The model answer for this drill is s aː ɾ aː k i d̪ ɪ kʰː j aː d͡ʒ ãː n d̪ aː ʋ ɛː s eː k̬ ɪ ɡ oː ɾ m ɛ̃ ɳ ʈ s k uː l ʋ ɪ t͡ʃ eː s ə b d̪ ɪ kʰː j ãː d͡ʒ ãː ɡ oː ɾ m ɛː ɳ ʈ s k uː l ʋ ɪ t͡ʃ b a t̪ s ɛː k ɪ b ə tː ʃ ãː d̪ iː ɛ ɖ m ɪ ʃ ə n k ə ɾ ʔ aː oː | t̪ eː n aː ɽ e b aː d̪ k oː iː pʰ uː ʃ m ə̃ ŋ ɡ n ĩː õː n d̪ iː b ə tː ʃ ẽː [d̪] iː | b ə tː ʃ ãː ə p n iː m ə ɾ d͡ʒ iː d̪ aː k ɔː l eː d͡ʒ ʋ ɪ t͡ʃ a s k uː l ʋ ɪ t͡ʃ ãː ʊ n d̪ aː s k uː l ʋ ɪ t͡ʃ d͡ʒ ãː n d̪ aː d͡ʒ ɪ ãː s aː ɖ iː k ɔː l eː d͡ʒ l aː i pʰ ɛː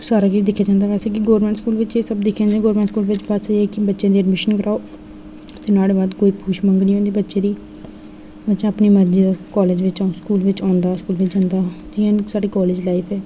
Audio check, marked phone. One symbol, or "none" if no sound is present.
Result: d̪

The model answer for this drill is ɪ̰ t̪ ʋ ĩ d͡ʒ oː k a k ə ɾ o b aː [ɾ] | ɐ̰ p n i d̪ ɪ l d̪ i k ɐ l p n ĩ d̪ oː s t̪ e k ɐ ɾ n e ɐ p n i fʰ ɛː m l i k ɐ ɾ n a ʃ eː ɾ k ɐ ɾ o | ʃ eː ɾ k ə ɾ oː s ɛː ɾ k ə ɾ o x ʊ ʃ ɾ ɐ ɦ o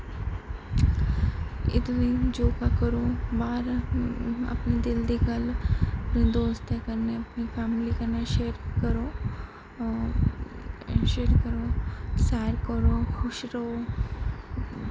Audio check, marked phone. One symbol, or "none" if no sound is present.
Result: ɾ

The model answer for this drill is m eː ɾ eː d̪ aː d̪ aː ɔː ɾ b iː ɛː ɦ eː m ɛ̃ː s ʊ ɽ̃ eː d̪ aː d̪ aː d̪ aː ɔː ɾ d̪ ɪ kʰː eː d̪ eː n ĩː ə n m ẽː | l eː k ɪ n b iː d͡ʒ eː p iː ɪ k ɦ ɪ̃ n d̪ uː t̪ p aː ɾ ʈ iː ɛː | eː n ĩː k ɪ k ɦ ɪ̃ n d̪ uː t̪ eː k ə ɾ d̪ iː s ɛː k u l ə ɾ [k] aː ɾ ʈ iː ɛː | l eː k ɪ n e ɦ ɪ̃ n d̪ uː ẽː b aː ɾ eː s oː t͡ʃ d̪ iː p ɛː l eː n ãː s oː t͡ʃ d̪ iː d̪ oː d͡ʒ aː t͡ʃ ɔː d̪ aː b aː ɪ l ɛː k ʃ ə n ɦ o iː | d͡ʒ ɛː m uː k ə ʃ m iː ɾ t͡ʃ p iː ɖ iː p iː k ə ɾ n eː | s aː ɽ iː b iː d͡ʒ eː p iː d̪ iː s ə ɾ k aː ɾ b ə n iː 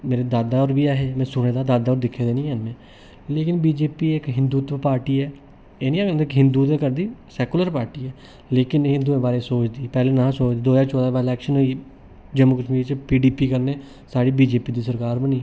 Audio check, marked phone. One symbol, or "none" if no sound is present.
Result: p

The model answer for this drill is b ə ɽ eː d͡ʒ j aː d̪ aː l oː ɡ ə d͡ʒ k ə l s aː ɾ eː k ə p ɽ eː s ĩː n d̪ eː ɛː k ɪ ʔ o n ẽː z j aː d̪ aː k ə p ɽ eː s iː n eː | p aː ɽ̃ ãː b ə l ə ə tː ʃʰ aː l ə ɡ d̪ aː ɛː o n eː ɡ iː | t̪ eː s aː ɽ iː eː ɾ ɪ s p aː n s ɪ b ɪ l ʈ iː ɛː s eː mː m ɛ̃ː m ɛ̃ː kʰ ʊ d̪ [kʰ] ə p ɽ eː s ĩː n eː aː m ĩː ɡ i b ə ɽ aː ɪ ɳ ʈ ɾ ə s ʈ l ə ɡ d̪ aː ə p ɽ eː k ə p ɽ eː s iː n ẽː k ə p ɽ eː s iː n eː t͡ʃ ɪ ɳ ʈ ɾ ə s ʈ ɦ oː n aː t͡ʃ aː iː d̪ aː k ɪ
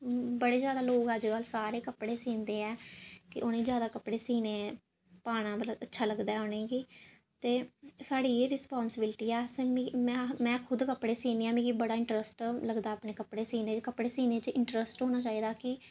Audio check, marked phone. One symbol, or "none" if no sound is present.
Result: k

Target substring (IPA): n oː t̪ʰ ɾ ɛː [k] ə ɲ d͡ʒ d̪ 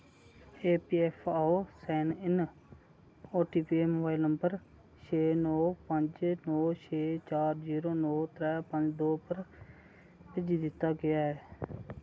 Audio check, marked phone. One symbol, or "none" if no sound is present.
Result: p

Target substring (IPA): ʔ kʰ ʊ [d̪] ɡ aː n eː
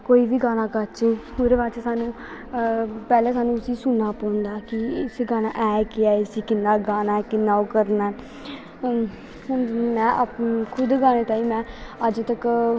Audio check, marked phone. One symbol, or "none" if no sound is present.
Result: d̪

